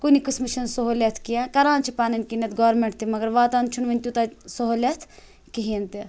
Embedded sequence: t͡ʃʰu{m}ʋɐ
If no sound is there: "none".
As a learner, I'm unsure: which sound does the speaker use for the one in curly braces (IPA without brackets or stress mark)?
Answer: n